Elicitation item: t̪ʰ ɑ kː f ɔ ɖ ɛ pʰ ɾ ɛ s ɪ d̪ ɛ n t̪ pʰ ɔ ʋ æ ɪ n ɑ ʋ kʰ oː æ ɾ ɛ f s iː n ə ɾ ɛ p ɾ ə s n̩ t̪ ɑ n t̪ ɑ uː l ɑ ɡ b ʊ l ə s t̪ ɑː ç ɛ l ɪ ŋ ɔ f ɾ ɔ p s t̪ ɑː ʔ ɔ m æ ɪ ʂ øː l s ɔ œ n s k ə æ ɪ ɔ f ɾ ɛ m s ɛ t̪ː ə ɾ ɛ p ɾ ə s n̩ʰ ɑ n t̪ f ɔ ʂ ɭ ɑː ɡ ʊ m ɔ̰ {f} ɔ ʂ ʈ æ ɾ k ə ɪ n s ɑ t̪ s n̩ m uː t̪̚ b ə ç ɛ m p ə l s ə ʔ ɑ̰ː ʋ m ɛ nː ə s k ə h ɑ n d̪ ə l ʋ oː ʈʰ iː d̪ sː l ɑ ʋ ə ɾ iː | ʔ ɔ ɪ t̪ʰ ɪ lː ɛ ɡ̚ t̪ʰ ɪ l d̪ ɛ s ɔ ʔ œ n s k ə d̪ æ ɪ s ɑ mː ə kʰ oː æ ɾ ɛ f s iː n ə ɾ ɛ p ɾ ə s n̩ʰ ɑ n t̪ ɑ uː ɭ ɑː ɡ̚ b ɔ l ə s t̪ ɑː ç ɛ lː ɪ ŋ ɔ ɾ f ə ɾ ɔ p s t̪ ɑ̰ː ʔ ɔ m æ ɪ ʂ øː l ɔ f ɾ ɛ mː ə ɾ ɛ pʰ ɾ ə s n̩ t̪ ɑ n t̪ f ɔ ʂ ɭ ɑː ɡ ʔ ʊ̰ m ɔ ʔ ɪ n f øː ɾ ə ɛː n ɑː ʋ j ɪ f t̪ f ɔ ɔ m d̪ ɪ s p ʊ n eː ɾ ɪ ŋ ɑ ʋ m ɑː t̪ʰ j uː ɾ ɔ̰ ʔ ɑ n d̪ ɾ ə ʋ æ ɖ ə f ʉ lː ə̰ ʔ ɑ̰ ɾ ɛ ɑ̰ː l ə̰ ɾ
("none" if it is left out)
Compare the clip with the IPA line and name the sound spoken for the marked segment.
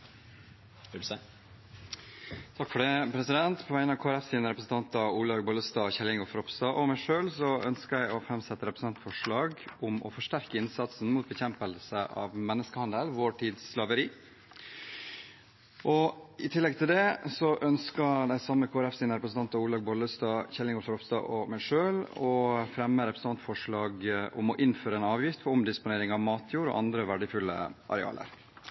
f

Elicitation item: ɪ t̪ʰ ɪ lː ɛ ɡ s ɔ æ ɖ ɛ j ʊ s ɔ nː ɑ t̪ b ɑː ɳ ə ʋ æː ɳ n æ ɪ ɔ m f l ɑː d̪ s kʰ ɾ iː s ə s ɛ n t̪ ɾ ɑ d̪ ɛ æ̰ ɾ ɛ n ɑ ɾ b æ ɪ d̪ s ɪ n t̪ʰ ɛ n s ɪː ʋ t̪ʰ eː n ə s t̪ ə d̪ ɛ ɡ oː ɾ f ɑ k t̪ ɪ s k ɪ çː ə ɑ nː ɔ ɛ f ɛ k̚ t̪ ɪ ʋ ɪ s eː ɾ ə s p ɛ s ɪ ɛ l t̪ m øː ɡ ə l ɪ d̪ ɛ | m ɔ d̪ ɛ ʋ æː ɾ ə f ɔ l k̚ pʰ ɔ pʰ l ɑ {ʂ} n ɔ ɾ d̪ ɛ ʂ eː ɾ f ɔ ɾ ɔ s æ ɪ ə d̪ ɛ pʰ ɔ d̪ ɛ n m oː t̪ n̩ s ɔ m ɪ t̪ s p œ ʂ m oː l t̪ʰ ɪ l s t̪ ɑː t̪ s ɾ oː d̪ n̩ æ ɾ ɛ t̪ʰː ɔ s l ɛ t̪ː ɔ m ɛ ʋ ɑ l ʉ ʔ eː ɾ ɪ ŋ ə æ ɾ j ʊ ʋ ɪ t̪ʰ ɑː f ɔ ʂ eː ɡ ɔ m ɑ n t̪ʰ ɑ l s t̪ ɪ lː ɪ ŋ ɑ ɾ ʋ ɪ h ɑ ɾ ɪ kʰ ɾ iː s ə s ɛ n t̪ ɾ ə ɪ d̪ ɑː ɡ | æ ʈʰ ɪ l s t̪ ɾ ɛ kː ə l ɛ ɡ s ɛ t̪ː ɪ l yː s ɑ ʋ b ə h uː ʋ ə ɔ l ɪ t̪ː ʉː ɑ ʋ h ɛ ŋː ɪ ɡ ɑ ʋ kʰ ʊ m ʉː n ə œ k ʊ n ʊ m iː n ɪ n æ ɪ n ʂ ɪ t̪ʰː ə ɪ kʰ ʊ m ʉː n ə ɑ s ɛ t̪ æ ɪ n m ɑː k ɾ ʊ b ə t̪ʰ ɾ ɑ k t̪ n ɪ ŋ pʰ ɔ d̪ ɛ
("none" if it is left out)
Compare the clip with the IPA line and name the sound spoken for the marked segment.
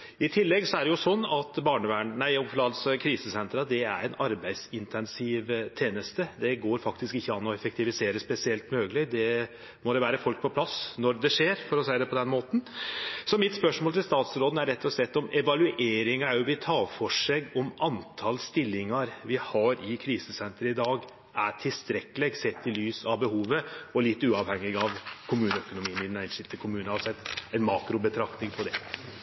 s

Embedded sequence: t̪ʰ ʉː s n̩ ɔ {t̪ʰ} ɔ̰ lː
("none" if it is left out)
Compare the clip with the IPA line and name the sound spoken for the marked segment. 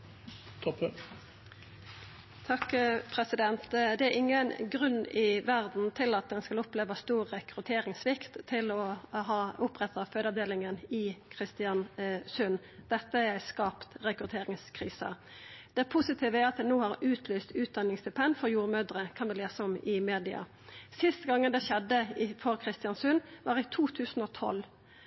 t̪ʰ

